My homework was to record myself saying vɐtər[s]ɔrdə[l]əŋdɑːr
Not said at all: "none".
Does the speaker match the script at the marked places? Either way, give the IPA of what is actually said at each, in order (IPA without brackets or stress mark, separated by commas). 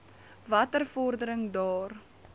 f, ɾ